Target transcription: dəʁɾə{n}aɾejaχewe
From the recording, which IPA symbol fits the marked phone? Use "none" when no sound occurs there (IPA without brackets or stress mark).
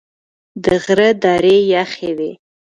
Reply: d